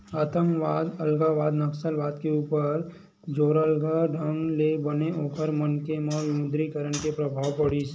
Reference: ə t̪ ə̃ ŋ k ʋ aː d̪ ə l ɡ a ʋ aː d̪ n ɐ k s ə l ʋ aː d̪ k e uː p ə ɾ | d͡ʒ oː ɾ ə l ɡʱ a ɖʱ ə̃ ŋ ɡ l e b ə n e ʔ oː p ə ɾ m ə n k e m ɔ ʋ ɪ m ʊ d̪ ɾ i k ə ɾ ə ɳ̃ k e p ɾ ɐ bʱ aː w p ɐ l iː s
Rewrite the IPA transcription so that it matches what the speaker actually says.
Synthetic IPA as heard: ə t̪ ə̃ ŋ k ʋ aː d̪ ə l ɡ a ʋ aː d̪ n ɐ k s ə l ʋ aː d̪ k e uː p ə ɾ | d͡ʒ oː ɾ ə l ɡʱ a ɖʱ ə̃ ŋ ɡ l e b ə n e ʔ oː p ə ɾ m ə n k e m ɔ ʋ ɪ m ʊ d̪ ɾ i k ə ɾ ə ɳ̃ k e p ɾ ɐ bʱ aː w p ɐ ɽ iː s